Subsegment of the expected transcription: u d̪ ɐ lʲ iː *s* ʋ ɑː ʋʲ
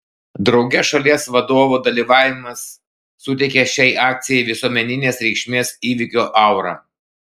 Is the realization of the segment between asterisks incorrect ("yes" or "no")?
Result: yes